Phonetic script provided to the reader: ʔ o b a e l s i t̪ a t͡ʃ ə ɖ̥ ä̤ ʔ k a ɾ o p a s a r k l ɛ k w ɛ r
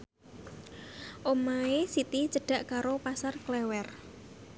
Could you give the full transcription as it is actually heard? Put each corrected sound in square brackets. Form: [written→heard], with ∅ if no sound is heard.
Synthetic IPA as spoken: ʔ o [b→m] a e [l→∅] s i t̪ [a→i] t͡ʃ ə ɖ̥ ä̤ ʔ k a ɾ o p a s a r k l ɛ [k→∅] w ɛ r